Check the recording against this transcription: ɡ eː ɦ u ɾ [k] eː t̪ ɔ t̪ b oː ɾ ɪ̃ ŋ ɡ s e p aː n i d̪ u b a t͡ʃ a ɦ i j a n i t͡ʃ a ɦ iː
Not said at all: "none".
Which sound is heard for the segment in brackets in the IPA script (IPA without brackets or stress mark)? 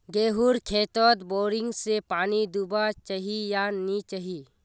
kʰ